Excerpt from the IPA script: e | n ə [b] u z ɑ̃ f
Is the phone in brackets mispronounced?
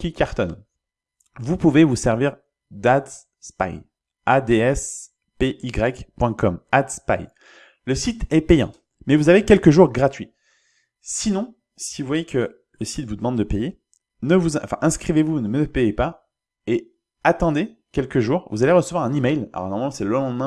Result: yes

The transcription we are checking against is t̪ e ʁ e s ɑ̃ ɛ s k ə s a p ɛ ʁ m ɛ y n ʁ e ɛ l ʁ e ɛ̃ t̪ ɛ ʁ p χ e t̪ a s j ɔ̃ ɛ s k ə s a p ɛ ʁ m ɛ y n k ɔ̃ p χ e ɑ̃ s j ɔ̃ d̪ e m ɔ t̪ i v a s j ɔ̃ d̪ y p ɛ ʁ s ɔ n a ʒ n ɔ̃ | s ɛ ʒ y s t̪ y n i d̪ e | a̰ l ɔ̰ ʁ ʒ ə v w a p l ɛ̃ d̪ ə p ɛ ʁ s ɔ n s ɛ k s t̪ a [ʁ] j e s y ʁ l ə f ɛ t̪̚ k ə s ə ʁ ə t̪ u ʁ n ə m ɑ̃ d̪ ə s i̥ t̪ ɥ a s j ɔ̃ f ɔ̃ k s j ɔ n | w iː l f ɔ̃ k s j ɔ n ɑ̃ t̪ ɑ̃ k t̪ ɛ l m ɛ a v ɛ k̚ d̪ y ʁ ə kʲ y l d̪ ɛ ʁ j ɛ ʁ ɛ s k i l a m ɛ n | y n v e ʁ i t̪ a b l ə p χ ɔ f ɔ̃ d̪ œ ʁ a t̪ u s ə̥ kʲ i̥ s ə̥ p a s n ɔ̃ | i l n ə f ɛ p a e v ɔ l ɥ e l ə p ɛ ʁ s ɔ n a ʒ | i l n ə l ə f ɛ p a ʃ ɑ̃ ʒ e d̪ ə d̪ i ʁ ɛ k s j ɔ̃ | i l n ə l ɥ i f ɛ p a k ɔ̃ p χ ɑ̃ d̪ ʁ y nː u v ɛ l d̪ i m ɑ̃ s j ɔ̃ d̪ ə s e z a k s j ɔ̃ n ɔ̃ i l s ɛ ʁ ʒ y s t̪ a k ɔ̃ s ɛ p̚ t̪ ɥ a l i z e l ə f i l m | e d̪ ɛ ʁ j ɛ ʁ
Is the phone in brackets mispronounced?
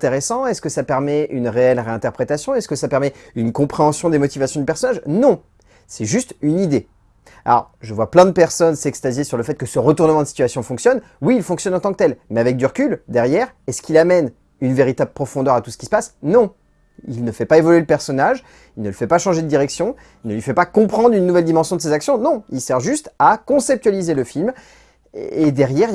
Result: yes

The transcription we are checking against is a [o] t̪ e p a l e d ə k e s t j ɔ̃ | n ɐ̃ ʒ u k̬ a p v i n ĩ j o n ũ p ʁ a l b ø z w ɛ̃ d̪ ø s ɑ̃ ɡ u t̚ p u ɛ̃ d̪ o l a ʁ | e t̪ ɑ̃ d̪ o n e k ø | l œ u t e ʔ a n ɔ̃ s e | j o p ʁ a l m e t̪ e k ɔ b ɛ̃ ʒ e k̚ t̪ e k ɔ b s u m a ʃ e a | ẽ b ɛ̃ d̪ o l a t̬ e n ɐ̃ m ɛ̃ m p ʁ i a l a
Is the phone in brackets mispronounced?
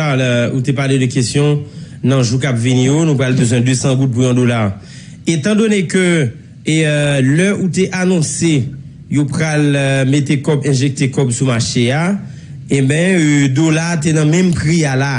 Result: yes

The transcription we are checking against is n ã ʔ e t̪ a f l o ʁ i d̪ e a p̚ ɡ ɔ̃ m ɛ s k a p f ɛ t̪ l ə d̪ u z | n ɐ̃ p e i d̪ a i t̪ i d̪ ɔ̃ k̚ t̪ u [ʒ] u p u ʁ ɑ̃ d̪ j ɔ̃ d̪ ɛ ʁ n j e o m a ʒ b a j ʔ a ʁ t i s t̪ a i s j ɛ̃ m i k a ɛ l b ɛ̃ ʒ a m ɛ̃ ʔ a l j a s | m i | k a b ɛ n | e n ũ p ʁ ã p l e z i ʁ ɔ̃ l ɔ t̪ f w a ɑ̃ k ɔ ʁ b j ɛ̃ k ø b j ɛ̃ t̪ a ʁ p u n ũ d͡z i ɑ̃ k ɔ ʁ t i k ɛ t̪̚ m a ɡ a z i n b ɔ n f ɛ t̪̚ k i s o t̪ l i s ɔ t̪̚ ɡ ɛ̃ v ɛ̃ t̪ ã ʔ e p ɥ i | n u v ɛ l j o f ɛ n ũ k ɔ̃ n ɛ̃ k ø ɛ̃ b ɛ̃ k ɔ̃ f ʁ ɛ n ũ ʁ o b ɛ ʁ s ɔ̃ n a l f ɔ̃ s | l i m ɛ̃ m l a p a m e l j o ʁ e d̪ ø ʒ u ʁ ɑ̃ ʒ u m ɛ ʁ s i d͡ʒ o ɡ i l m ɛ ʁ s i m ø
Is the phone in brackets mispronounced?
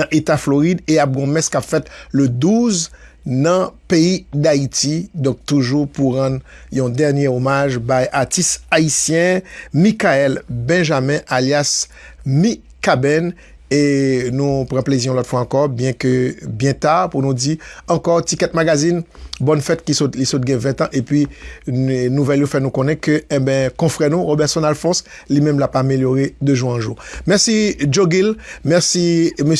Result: no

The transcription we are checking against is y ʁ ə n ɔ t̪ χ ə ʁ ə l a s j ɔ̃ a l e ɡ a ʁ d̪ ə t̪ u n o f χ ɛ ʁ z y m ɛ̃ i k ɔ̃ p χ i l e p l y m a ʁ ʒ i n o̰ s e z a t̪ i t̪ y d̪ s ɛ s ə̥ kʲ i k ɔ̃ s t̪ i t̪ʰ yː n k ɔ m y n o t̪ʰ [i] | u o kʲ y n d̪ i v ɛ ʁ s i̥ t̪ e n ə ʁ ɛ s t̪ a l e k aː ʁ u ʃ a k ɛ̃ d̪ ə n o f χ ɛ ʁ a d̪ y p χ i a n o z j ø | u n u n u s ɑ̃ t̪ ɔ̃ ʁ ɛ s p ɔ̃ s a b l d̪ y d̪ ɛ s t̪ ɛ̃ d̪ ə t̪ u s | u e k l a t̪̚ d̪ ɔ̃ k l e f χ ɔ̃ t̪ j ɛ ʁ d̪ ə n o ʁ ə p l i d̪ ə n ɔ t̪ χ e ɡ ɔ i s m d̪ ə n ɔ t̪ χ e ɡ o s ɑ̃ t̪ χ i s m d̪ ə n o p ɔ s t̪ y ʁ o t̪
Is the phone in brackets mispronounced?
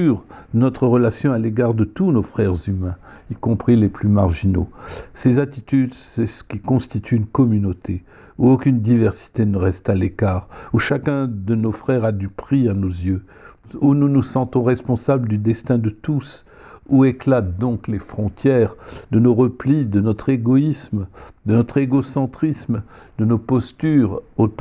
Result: yes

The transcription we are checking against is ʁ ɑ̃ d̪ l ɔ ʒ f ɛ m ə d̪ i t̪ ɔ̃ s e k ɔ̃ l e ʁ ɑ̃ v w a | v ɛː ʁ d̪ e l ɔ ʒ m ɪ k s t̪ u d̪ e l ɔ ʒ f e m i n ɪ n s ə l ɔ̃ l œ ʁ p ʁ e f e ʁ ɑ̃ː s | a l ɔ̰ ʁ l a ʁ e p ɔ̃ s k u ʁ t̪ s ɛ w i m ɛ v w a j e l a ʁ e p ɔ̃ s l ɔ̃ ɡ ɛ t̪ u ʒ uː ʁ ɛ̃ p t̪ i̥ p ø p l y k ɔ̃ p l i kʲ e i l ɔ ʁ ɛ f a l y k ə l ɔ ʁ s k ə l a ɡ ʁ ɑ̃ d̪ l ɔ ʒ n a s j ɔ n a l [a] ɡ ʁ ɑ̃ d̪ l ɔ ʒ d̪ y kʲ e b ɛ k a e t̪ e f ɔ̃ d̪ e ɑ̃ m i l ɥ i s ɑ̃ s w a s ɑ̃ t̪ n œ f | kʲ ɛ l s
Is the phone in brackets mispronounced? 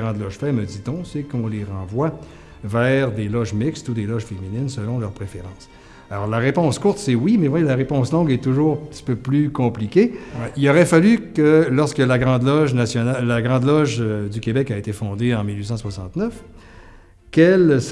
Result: no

